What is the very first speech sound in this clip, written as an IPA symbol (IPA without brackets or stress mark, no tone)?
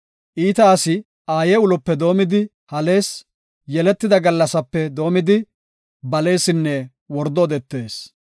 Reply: ʔ